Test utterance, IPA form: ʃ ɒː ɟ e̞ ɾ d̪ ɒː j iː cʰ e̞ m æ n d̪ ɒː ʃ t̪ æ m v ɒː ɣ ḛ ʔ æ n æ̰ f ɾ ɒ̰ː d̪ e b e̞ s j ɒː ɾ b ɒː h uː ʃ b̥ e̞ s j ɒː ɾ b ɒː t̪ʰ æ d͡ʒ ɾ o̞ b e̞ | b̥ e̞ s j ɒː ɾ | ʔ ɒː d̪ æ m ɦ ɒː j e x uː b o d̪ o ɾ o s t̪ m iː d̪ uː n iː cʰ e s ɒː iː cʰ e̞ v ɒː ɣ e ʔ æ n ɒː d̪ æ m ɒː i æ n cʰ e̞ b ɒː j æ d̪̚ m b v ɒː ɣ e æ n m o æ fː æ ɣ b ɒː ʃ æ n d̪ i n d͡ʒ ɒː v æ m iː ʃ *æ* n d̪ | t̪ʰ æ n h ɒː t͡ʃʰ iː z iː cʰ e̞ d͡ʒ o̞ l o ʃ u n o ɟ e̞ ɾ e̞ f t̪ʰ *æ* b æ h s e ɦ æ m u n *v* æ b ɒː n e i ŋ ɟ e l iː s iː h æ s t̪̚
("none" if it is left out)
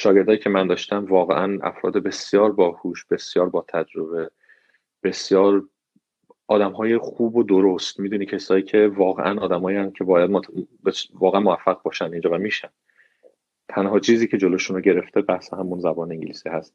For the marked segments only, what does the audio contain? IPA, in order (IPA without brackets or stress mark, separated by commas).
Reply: æ, e, z